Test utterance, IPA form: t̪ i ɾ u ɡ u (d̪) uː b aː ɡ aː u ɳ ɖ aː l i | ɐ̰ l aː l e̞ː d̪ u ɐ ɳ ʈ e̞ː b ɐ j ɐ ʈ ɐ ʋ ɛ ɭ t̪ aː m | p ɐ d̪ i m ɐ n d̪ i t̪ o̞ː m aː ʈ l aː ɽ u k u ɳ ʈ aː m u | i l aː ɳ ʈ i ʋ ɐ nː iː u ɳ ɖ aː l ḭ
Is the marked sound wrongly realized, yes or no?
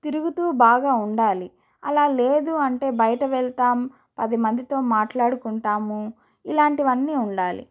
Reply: yes